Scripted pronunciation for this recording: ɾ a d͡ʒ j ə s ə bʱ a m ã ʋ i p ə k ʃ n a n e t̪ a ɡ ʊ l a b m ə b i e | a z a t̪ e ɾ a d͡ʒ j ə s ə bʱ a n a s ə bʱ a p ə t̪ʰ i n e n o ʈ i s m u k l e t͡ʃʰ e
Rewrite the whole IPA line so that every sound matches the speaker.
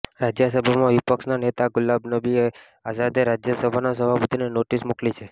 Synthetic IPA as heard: ɾ a d͡ʒ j ə s ə bʱ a m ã ʋ i p ə k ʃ n a n e t̪ a ɡ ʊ l a b n ə b i e | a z a d̪ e ɾ a d͡ʒ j ə s ə bʱ a n a s ə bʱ a p ə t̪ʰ i n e n o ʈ i s m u k l i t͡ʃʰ e

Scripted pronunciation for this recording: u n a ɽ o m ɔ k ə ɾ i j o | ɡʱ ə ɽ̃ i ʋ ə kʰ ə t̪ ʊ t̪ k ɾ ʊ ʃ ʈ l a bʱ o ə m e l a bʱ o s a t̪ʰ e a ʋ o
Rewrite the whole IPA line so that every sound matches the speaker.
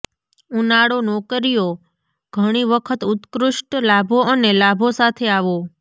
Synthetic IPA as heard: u n a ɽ o n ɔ k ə ɾ i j o | ɡʱ ə ɽ̃ i ʋ ə kʰ ə t̪ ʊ t̪ k ɾ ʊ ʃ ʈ l a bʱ o ə n e l a bʱ o s a t̪ʰ e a ʋ o

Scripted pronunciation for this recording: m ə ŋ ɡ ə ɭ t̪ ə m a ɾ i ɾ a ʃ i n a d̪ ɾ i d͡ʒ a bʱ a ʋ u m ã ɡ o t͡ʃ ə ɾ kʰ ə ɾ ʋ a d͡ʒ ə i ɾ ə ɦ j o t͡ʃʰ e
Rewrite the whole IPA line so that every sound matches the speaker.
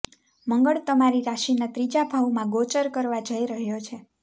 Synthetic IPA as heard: m ə ŋ ɡ ə ɭ t̪ ə m a ɾ i ɾ a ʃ i n a t̪ ɾ i d͡ʒ a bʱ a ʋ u m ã ɡ o t͡ʃ ə ɾ k ə ɾ ʋ a d͡ʒ ə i ɾ ə ɦ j o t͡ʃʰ e

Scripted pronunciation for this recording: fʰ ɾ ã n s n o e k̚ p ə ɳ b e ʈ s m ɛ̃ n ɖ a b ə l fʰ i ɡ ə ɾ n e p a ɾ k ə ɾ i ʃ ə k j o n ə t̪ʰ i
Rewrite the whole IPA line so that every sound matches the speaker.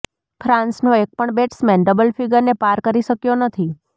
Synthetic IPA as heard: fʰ ɾ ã n s n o e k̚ p ə ɳ b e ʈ s m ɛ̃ n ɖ ə b ə l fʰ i ɡ ə ɾ n e p a ɾ k ə ɾ i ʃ ə k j o n ə t̪ʰ i

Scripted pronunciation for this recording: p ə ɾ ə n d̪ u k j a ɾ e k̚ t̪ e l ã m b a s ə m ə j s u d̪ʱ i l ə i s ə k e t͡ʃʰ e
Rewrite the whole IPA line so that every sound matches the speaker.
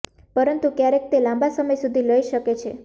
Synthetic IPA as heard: p ə ɾ ə n t̪ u k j a ɾ e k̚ t̪ e l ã m b a s ə m ə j s u d̪ʱ i l ə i ʃ ə k e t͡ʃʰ e

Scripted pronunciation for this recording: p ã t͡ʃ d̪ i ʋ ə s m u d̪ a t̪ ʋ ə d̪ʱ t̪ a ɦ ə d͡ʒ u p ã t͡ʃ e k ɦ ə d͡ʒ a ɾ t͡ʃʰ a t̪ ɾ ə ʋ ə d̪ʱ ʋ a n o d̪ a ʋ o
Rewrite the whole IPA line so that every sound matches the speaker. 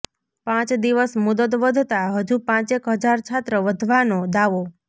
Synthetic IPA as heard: p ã t͡ʃ d̪ i ʋ ə s m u d̪ ə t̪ ʋ ə d̪ʱ t̪ a ɦ ə d͡ʒ u p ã t͡ʃ e k ɦ ə d͡ʒ a ɾ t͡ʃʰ a t̪ ɾ ə ʋ ə d̪ʱ ʋ a n o d̪ a ʋ o

